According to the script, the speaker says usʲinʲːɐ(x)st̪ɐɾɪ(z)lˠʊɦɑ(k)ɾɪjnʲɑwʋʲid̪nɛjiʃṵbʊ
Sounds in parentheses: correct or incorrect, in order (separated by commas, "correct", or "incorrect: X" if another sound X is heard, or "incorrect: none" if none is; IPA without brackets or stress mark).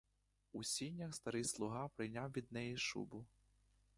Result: correct, incorrect: s, incorrect: p